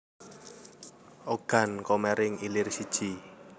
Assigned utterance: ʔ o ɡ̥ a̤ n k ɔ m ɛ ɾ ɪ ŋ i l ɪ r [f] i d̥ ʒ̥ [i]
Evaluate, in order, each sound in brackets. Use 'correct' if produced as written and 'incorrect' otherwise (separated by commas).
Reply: incorrect, correct